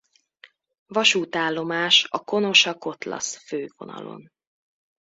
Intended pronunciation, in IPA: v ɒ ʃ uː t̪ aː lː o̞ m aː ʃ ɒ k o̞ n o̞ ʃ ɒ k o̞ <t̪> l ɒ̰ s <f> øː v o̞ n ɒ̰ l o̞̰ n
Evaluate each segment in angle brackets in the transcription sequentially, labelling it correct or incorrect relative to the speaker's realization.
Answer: correct, correct

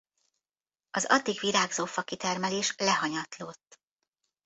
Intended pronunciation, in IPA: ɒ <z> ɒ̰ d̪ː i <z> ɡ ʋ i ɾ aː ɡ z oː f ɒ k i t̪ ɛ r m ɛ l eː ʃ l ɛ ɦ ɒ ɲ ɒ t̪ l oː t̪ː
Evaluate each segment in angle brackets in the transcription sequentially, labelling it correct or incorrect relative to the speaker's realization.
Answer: correct, incorrect: none

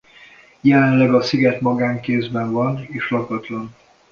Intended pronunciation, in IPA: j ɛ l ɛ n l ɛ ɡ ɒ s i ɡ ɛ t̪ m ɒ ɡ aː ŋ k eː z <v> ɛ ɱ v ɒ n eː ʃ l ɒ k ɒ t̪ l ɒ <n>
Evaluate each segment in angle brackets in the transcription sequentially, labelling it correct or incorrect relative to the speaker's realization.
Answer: incorrect: b, correct

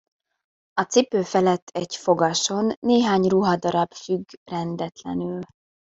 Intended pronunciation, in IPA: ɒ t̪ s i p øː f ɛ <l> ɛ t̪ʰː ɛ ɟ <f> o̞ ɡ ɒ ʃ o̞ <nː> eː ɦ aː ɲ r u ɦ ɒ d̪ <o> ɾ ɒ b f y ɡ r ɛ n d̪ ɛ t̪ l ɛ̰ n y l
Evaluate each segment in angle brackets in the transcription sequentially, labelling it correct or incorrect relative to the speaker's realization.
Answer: correct, correct, correct, incorrect: ɒ

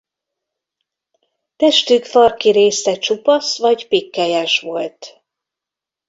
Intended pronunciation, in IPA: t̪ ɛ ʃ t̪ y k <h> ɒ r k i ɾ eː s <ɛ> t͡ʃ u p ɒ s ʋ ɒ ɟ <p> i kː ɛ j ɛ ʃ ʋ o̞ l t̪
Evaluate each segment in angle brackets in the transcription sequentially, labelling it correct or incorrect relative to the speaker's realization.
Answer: incorrect: f, correct, correct

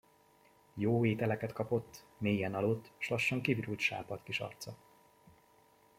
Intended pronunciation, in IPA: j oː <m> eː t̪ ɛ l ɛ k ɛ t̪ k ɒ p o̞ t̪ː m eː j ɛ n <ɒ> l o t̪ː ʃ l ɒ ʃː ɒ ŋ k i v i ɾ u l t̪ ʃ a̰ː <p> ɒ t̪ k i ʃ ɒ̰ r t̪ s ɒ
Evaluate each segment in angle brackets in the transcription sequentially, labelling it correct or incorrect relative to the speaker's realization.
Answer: incorrect: none, correct, correct

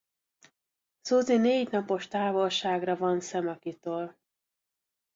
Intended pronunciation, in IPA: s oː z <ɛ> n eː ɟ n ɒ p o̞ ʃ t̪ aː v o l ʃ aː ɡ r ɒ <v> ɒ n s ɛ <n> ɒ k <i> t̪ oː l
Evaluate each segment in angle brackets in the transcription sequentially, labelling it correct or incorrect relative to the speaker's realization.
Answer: incorrect: i, correct, incorrect: m, correct

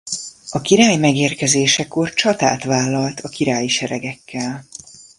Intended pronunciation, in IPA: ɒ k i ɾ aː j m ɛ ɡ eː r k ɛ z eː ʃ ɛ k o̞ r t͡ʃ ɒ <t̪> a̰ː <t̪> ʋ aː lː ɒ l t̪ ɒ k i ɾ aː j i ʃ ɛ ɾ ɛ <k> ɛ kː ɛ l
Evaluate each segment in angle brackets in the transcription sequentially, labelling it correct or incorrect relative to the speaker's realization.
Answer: correct, correct, incorrect: ɡ

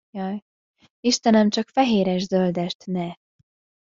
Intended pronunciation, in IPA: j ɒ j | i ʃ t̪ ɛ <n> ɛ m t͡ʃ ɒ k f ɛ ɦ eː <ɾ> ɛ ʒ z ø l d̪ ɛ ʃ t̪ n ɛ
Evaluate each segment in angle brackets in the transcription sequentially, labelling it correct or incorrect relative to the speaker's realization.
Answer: correct, correct

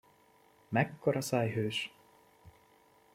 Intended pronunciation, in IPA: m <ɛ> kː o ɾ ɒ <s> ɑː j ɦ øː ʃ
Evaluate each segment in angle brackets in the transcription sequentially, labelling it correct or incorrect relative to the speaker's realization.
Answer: correct, correct

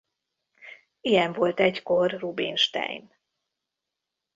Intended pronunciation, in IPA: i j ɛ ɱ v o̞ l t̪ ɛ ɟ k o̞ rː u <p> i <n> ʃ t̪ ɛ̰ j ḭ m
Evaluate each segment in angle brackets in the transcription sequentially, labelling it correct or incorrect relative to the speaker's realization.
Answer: incorrect: b, correct

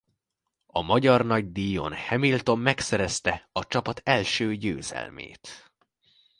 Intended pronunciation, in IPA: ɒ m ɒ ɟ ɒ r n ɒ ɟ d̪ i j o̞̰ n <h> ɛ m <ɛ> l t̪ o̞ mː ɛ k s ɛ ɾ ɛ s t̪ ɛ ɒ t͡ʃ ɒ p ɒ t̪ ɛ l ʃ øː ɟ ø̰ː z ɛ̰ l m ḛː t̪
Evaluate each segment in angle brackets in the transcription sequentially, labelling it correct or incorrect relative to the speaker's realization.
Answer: correct, incorrect: i

